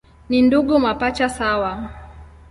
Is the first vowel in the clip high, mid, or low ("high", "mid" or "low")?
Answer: high